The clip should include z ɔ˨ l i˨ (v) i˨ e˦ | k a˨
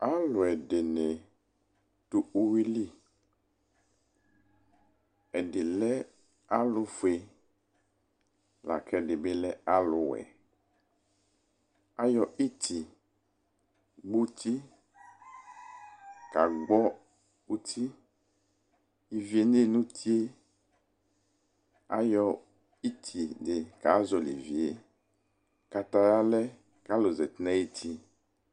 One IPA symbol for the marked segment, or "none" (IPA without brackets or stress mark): v